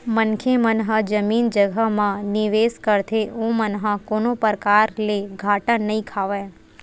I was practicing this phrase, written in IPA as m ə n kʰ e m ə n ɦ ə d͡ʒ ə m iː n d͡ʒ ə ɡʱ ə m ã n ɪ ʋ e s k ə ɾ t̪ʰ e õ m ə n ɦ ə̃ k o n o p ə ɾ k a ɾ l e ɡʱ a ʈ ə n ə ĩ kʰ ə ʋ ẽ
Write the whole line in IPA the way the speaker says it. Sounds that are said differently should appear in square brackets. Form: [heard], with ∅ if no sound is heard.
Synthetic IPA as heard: m ə n kʰ e m ə n ɦ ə d͡ʒ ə m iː n d͡ʒ ə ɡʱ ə m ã n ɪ ʋ e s k ə ɾ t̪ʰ e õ m ə n ɦ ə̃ k o n o p ə ɾ k a ɾ l e ɡʱ a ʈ ə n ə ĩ kʰ [a] ʋ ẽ